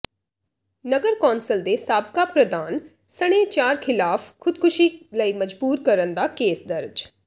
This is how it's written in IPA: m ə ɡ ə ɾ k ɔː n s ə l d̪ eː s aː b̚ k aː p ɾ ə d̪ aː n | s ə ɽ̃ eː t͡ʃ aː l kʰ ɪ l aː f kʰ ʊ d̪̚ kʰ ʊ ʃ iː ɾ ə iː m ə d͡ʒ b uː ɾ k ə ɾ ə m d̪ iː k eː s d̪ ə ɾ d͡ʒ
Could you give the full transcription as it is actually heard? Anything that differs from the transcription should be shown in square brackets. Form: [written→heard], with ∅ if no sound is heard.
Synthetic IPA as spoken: [m→n] ə ɡ ə ɾ k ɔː n s ə l d̪ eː s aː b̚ k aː p ɾ ə d̪ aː n | s ə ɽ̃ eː t͡ʃ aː [l→ɾ] kʰ ɪ l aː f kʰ ʊ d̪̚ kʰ ʊ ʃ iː [ɾ→l] ə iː m ə d͡ʒ b uː ɾ k ə ɾ ə [m→n] d̪ [iː→aː] k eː s d̪ ə ɾ d͡ʒ